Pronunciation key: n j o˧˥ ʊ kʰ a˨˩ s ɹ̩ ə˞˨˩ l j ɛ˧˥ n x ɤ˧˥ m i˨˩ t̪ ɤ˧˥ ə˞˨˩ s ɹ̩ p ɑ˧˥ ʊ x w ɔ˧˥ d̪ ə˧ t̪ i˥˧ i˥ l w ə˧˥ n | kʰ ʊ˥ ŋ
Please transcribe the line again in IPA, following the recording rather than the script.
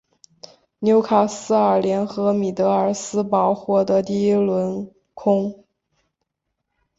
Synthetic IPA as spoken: n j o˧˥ ʊ kʰ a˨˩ s ɹ̩ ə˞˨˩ l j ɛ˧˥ n x ɤ˧˥ m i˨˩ t̪ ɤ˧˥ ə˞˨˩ s ɹ̩ p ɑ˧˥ ʊ x w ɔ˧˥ d̪ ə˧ t̪ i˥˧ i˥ l w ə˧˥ n | kʰ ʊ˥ ŋ

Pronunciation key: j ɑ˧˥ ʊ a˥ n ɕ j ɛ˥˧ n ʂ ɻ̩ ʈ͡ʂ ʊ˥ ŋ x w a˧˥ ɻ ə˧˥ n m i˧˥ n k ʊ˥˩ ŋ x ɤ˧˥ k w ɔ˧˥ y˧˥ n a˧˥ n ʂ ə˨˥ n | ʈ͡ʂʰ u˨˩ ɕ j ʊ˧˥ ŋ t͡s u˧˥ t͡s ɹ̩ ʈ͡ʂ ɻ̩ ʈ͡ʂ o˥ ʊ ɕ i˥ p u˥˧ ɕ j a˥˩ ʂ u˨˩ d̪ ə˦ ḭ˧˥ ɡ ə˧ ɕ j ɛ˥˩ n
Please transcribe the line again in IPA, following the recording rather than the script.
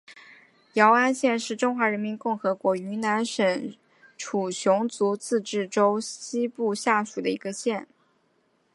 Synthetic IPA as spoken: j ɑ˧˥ ʊ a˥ n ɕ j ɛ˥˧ n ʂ ɻ̩ ʈ͡ʂ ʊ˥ ŋ x w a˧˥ ɻ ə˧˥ n m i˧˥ n k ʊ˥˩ ŋ x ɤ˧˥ k w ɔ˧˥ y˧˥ n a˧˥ n ʂ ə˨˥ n | ʈ͡ʂʰ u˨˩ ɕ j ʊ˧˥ ŋ t͡s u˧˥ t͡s ɹ̩ ʈ͡ʂ ɻ̩ ʈ͡ʂ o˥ ʊ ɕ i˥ p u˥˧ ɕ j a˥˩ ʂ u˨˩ d̪ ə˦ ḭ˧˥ ɡ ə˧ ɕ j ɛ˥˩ n

